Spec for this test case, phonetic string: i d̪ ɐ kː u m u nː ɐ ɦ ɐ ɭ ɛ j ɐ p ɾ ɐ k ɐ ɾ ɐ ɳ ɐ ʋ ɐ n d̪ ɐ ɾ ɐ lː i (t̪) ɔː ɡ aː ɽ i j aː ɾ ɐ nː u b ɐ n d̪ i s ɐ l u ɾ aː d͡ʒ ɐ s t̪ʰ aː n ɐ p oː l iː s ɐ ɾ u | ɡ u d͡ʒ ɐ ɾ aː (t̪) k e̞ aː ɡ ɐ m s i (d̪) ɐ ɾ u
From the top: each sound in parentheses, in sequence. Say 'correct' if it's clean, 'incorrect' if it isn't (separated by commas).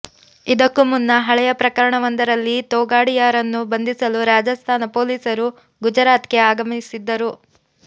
correct, correct, incorrect